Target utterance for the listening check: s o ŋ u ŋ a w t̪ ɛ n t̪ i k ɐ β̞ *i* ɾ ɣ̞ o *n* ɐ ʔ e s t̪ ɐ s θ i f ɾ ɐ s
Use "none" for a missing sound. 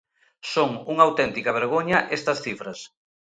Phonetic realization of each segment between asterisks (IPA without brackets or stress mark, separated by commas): e, ɲ